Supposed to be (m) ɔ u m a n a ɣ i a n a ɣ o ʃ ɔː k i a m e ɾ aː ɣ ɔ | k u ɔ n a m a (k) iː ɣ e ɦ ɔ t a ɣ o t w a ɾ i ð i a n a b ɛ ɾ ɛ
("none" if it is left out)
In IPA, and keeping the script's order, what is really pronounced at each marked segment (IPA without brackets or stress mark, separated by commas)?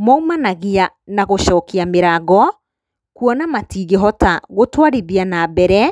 m, t